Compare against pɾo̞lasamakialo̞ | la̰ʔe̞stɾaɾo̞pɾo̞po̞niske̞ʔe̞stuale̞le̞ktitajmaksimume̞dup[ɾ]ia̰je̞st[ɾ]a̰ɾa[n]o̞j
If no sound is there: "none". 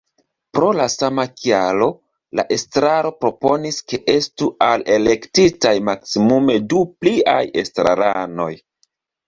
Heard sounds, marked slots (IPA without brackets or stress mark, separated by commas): l, ɾ, n